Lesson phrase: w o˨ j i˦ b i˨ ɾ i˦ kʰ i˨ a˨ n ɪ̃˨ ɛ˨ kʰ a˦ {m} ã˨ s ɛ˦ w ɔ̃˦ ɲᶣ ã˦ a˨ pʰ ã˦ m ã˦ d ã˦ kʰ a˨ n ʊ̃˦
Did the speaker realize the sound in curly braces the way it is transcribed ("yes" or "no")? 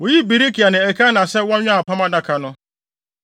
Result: no